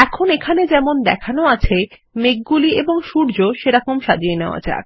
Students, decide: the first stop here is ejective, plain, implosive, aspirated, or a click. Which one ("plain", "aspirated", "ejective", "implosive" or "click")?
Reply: aspirated